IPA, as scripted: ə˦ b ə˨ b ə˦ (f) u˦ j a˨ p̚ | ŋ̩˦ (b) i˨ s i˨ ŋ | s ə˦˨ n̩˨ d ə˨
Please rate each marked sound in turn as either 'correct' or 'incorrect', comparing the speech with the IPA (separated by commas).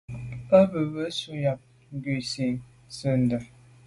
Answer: incorrect, incorrect